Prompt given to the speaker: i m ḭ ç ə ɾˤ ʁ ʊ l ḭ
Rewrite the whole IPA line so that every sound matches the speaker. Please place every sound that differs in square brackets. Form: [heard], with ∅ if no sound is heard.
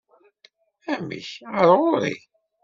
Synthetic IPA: [æ] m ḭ ç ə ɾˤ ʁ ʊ [ɾ] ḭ